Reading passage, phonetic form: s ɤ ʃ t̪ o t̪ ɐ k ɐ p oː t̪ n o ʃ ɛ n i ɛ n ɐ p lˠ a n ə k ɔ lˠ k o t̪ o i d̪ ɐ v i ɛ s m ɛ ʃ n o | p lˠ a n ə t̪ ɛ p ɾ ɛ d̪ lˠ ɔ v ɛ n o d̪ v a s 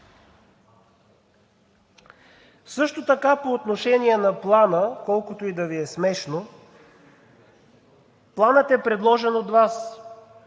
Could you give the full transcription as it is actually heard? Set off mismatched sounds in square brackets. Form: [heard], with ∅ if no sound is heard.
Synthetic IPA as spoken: s ɤ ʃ t̪ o t̪ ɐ k [a] p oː t̪ n o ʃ ɛ n i ɛ n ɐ p lˠ a n ə k ɔ lˠ k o t̪ o i d̪ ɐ v i ɛ s m ɛ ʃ n o | p lˠ a n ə t̪ ɛ p ɾ ɛ d̪ lˠ ɔ [ʒ] ɛ n o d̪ v a s

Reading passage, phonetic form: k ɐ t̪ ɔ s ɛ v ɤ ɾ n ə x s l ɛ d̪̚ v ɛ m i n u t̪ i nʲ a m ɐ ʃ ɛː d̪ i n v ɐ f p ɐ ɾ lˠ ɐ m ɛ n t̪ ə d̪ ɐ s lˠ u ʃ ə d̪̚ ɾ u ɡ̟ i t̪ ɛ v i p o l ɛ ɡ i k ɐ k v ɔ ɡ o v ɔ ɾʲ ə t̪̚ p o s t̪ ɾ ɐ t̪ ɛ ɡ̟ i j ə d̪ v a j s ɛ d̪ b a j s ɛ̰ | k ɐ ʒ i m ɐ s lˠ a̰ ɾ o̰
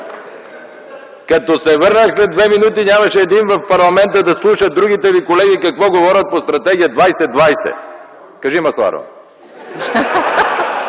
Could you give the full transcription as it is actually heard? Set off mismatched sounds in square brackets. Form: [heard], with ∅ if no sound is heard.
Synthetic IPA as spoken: k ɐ t̪ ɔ s ɛ v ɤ ɾ n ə x s l ɛ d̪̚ v ɛ m i n u t̪ i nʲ a m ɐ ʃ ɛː d̪ i n v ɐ f p ɐ ɾ lˠ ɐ m ɛ n t̪ ə d̪ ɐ s lˠ u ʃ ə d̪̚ ɾ u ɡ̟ i t̪ ɛ v i [k] o l ɛ ɡ i k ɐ k v ɔ ɡ o v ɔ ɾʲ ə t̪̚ p o s t̪ ɾ ɐ t̪ ɛ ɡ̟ i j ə d̪ v a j s ɛ d̪ [v] a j s ɛ̰ | k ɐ ʒ i m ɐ s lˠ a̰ ɾ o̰

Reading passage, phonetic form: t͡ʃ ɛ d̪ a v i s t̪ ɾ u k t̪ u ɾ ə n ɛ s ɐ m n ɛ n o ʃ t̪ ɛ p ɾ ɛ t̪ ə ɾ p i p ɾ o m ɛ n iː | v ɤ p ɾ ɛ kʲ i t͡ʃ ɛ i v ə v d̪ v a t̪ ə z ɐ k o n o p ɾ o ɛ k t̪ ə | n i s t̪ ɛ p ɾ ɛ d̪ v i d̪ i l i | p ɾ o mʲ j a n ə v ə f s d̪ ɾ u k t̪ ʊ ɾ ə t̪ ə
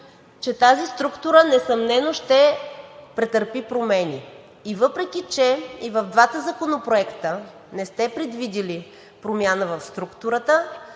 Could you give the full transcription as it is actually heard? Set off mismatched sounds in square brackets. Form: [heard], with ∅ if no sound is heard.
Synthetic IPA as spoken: t͡ʃ ɛ [t̪] a [z] i s t̪ ɾ u k t̪ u ɾ ə n ɛ s ɐ m n ɛ n o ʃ t̪ ɛ p ɾ ɛ t̪ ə ɾ p i p ɾ o m ɛ n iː | v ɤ p ɾ ɛ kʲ i t͡ʃ ɛ i v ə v d̪ v a t̪ ə z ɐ k o n o p ɾ o ɛ k t̪ ə | n [ɛ] s t̪ ɛ p ɾ ɛ d̪ v i d̪ i l i | p ɾ o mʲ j a n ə v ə f s [t̪] ɾ u k t̪ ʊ ɾ ə t̪ ə

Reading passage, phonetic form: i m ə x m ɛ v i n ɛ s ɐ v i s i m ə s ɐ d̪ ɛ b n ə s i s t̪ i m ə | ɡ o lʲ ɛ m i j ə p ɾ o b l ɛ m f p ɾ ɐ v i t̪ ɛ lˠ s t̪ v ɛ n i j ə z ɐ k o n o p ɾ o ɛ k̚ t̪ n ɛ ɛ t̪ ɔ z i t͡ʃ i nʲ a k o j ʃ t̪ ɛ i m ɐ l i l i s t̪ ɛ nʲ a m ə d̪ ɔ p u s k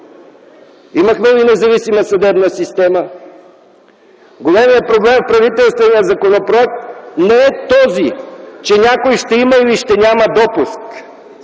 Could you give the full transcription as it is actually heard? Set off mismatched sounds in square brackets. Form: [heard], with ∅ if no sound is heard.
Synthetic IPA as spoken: i m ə x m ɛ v i n ɛ [z] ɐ v i s i m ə s ɐ d̪ ɛ b n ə s i s t̪ [ɛ] m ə | ɡ o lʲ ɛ m i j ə p ɾ o b l ɛ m f p ɾ ɐ v i t̪ ɛ lˠ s t̪ v ɛ n i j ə z ɐ k o n o p ɾ o ɛ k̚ t̪ n ɛ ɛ t̪ ɔ z i t͡ʃ [ɛ] nʲ a k o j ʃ t̪ ɛ i m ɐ [∅] i l i [ʃ] t̪ ɛ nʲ a m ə d̪ ɔ p u s k

